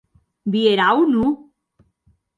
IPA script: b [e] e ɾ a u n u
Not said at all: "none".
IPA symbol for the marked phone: i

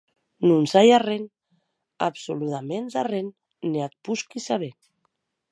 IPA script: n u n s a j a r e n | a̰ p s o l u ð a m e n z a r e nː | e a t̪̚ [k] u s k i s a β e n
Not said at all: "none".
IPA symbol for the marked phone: p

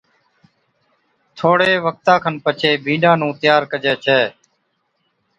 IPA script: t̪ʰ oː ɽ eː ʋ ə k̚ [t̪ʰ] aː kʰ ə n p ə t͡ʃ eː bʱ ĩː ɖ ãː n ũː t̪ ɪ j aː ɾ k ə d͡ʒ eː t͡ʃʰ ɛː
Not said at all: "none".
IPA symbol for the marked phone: t̪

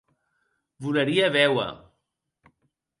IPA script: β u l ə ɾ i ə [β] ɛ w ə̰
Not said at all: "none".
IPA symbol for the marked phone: β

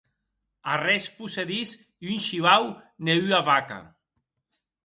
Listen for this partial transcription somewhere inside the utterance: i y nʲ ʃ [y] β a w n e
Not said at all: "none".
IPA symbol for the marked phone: i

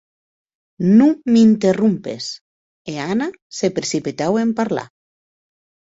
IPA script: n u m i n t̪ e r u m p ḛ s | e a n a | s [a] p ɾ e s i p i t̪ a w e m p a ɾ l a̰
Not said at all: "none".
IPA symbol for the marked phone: e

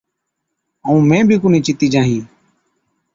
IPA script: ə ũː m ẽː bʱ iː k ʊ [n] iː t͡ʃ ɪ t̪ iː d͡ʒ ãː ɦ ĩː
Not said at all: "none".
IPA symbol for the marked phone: n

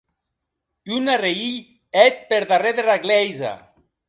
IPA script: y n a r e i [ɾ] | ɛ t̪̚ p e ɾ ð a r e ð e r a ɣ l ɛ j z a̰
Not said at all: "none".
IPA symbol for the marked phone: ʎ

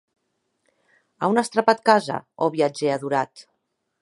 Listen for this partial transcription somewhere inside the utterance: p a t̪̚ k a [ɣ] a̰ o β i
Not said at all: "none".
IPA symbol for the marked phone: z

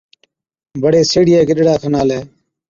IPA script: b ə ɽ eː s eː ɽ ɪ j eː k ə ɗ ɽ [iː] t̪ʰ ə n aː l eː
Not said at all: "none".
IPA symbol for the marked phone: aː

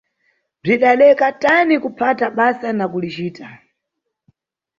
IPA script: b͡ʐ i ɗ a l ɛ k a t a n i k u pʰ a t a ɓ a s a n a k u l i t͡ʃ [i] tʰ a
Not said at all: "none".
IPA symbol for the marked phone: iː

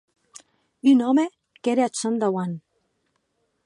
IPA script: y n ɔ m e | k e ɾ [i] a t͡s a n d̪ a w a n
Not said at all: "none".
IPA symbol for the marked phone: e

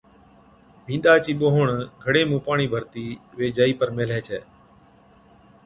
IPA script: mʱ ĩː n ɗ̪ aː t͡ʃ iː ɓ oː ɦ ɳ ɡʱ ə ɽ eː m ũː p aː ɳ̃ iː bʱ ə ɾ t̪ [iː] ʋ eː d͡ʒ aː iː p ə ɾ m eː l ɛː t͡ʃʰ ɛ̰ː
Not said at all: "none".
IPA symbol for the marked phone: iː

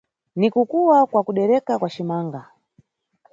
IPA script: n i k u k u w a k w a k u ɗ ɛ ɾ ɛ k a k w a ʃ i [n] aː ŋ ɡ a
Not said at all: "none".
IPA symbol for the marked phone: m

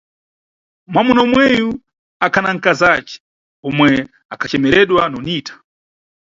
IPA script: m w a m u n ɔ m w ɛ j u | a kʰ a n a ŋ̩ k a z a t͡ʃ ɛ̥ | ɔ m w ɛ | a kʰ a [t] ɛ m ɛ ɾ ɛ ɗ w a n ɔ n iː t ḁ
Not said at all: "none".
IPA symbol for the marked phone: t͡ʃ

